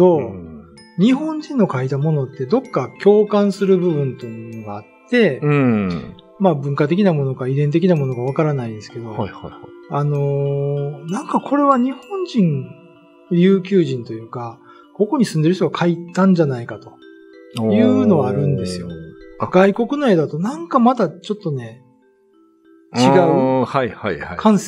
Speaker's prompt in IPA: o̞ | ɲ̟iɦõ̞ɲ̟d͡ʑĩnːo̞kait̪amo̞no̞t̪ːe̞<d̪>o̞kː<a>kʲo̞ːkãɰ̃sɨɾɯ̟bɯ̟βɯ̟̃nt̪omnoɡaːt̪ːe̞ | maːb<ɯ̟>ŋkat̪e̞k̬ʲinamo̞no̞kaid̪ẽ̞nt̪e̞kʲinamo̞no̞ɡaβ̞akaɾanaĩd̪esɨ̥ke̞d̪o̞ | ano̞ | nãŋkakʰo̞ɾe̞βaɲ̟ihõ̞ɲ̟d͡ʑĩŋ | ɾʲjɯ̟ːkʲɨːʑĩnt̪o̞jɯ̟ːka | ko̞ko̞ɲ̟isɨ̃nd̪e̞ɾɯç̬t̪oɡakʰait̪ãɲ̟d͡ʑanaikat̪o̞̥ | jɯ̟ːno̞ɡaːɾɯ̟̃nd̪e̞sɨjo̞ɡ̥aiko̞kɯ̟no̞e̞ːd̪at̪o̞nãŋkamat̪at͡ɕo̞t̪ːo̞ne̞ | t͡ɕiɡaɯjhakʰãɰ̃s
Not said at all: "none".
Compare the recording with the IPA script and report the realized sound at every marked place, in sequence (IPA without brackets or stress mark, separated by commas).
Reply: d̪, a, ɯ̟̃